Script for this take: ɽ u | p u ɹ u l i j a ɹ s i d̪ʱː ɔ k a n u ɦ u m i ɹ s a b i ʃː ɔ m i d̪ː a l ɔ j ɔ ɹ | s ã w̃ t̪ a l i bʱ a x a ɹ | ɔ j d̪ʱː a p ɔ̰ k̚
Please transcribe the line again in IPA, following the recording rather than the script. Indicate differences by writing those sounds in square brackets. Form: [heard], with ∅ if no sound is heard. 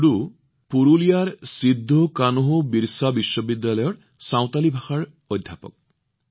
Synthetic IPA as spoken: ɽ u | p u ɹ u l i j a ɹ s i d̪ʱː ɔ k a n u ɦ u [b] i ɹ s a b i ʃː ɔ [b] i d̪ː a l ɔ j ɔ ɹ | s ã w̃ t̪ a l i bʱ a x a ɹ | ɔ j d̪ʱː a p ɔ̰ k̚